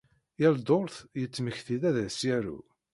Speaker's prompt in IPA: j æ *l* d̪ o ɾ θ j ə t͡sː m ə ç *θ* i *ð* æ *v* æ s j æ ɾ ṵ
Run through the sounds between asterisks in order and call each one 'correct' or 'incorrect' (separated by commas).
correct, correct, correct, incorrect